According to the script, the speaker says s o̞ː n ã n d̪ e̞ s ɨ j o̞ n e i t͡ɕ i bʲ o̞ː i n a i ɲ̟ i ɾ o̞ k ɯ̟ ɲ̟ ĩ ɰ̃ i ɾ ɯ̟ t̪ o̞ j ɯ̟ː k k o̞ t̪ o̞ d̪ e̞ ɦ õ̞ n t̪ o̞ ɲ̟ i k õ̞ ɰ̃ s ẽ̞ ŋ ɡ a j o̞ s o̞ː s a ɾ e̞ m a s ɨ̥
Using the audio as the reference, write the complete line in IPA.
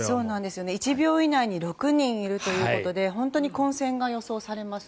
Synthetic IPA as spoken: s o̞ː n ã n d̪ e̞ s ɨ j o̞ n e i t͡ɕ i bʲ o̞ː i n a i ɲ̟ i ɾ o̞ k ɯ̟ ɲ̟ ĩ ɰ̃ i ɾ ɯ̟ t̪ o̞ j ɯ̟ː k k o̞ t̪ o̞ d̪ e̞ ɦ õ̞ n t̪ o̞ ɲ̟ i k õ̞ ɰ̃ s ẽ̞ ŋ ɡ a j o̞ s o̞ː s a ɾ e̞ m a s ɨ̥